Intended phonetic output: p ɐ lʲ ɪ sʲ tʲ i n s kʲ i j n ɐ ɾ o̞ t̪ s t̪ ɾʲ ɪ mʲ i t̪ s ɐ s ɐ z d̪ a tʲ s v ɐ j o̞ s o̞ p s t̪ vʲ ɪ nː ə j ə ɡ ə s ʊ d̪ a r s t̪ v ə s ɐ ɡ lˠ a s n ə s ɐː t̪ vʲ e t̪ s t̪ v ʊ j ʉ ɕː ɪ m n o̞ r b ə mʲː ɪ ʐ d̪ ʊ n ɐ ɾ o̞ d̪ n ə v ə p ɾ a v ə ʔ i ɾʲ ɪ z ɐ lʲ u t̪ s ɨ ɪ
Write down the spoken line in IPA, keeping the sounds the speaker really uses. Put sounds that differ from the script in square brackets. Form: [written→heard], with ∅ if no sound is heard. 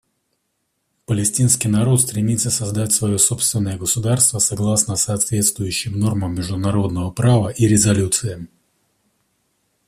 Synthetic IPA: p [ɐ→ə] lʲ ɪ sʲ tʲ i n s kʲ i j n ɐ ɾ o̞ t̪ s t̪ ɾʲ ɪ mʲ i t̪ s [ɐ→ə] s ɐ z d̪ a tʲ s v ɐ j o̞ s o̞ p s t̪ vʲ ɪ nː ə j ə ɡ ə s ʊ d̪ a r s t̪ v ə s ɐ ɡ lˠ a s n ə s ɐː t̪ vʲ e t̪ s t̪ v ʊ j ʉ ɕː ɪ m n o̞ r [b→m] ə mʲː ɪ ʐ d̪ ʊ n ɐ ɾ o̞ d̪ n ə v ə p ɾ a v ə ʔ i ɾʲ ɪ z ɐ lʲ u t̪ s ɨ ɪ